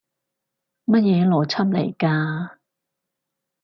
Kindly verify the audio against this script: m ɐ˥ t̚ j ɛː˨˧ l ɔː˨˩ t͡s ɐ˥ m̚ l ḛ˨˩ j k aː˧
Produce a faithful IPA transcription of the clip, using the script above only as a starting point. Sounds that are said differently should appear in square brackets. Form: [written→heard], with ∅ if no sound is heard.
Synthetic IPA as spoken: m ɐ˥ t̚ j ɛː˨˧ l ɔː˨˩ [t͡s→t͡sʰ] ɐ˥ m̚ l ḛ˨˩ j k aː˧